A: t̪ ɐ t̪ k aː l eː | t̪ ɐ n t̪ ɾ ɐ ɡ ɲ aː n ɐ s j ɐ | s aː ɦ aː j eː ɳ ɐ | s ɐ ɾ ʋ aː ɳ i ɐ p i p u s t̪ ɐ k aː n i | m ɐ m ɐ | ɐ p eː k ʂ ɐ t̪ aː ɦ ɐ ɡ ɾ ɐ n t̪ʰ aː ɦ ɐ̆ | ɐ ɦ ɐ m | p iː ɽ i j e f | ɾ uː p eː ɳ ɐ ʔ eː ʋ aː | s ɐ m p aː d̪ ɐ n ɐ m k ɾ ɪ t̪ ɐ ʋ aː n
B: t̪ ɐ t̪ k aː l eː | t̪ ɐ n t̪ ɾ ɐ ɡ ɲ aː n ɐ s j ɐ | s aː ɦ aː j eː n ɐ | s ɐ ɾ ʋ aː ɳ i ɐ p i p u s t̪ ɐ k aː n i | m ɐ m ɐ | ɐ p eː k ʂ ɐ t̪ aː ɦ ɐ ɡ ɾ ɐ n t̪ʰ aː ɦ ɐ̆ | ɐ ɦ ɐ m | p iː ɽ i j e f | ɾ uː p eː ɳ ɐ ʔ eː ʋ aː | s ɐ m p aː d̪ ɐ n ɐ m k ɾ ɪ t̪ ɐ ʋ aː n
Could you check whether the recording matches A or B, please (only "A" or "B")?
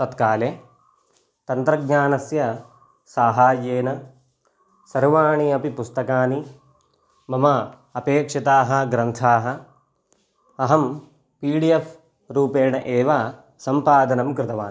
B